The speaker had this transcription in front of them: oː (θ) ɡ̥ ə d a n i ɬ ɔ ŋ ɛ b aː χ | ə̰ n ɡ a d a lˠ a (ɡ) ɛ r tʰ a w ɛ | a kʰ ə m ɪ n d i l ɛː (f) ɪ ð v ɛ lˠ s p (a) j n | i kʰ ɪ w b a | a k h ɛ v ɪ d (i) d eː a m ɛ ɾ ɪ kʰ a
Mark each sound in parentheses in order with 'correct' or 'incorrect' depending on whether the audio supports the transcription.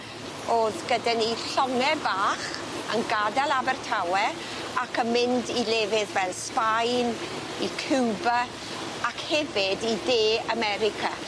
incorrect: ð, incorrect: b, incorrect: v, correct, correct

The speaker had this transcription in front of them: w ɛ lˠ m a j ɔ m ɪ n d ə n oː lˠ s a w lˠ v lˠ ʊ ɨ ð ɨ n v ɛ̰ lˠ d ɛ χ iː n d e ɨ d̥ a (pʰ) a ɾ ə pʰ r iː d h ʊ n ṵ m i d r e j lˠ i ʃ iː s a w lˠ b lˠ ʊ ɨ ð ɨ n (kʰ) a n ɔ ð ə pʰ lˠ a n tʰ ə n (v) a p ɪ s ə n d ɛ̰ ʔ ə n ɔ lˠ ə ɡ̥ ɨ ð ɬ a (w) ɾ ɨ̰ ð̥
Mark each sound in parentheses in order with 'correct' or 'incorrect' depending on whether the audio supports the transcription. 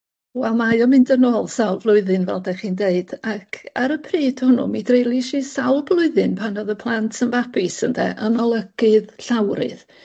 incorrect: kʰ, incorrect: pʰ, correct, correct

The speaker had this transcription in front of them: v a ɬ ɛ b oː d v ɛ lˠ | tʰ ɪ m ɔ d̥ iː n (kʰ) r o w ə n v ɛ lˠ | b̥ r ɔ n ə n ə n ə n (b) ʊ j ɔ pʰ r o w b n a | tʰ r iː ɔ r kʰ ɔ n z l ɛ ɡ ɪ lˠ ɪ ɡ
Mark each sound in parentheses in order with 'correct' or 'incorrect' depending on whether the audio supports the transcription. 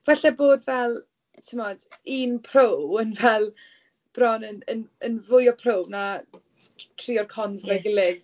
incorrect: pʰ, incorrect: v

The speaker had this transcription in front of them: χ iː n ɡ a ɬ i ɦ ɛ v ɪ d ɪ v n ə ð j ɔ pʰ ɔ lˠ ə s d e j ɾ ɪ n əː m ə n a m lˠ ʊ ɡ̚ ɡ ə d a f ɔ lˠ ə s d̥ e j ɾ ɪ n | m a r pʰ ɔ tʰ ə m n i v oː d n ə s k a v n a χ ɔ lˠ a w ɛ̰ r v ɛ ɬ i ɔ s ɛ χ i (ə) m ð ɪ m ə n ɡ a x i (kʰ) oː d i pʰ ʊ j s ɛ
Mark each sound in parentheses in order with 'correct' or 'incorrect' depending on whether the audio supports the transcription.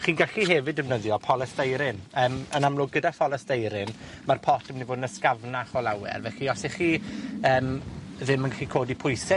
incorrect: əː, correct

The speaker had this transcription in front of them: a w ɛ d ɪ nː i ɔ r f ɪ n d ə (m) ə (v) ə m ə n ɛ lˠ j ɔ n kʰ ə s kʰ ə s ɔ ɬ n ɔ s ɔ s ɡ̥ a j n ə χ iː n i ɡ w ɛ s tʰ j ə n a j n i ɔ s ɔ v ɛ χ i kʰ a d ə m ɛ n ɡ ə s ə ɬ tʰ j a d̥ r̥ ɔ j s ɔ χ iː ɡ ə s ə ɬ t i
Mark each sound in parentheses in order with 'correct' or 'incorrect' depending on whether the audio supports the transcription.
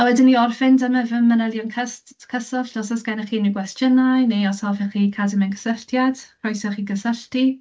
correct, correct

